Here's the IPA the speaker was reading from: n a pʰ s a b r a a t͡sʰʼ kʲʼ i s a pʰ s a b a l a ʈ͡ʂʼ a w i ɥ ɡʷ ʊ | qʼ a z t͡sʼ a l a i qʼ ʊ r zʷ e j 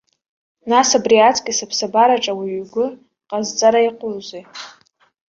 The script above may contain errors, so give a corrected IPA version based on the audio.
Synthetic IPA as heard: n a s a b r i a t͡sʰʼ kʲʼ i s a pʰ s a b a ɾ a ʈ͡ʂʼ a w i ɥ ɡʷ ʊ | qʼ a z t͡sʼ a ɾ a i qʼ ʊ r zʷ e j